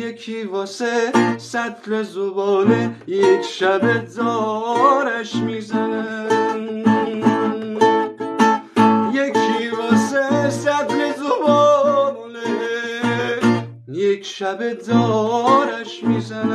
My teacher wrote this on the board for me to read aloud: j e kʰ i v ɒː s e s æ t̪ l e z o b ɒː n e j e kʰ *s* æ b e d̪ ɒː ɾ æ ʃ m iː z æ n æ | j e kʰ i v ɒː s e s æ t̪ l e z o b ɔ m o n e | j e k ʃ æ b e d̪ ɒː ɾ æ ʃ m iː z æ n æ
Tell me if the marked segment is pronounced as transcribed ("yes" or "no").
no